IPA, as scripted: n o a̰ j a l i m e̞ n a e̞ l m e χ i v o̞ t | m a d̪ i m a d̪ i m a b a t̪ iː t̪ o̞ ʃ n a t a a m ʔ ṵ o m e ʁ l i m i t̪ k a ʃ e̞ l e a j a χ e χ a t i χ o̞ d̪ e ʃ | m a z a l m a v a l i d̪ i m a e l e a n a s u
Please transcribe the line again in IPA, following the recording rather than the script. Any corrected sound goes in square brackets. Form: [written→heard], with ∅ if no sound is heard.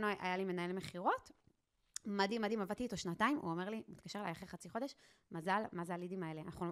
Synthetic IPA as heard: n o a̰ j a l i m e̞ n a e̞ l m e χ i [v→ʁ] o̞ t | m a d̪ i m a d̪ i m a [b→v] a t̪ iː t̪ o̞ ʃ n a t a [a→i] m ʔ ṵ o m e ʁ l i m i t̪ k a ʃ e̞ l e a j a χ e χ a [t→t͡s] i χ o̞ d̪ e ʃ | m a z a l m a [v→z] a l i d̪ i m a e l e a n a [s→χ] u